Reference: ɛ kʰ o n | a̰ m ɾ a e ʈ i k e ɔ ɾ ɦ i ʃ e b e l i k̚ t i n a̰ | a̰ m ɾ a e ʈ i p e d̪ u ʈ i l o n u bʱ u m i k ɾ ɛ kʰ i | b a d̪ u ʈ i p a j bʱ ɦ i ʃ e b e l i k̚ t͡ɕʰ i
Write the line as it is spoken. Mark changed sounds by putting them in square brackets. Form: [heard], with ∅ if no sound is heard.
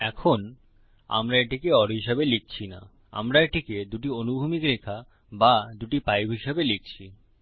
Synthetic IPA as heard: ɛ kʰ o n | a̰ m ɾ a e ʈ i k e ɔ ɾ ɦ i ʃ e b e l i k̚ [t͡ɕʰ] i n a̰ | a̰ m ɾ a e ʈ i [k] e d̪ u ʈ i [∅] o n u bʱ u m i k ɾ [e] kʰ [a] | b a d̪ u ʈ i p a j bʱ ɦ i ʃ e b e l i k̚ t͡ɕʰ i